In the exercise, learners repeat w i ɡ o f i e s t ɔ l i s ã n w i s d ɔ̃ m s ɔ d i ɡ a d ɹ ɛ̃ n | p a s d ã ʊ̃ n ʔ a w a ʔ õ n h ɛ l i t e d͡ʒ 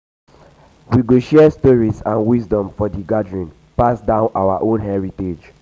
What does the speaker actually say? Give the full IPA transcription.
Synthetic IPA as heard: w i ɡ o ʃ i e s t ɔ ɹ i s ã n w i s d ɔ̃ m f ɔ d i ɡ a d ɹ ĩ n | p a s d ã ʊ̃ n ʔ a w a ʔ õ n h ɛ ɹ i t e d͡ʒ